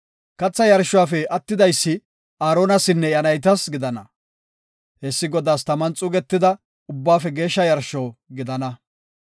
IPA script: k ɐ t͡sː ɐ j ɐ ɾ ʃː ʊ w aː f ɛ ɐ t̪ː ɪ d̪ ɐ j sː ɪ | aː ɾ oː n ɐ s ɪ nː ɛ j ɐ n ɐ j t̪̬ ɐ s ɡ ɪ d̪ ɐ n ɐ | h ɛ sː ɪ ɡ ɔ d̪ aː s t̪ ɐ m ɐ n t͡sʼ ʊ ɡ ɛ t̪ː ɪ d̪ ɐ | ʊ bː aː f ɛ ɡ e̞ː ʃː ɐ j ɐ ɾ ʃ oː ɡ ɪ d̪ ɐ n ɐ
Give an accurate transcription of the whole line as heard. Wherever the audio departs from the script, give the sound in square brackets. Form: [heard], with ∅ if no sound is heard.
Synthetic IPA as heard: k ɐ t͡sː ɐ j ɐ ɾ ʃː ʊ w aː f ɛ ɐ t̪ː ɪ d̪ ɐ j sː ɪ | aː ɾ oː n ɐ s ɪ nː ɛ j ɐ n ɐ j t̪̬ ɐ s ɡ ɪ d̪ ɐ n ɐ | h ɛ sː ɪ ɡ ɔ d̪ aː s t̪ ɐ m ɐ n t͡sʼ ʊ ɡ ɛ t̪ː ɪ d̪ ɐ | ʊ bː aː f ɛ ɡ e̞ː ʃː ɐ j ɐ ɾ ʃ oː ɡ ɪ d̪ ɐ n ɐ